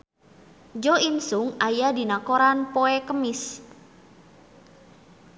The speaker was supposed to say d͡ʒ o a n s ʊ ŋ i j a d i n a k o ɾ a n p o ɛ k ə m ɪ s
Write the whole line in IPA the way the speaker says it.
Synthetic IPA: d͡ʒ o i n s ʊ ŋ a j a d i n a k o ɾ a n p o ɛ k ə m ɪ s